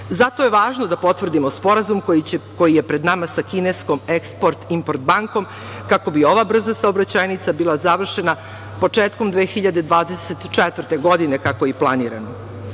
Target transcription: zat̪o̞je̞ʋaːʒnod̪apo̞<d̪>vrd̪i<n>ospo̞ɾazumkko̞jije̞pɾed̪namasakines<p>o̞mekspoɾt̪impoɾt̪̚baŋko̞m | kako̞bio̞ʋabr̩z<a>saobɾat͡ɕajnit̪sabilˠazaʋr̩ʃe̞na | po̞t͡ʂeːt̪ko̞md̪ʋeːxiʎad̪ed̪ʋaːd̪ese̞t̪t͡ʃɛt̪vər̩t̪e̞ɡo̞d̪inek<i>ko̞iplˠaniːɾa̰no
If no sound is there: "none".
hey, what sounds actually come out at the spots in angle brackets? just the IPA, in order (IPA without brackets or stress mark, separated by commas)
t̪, m, k, a, a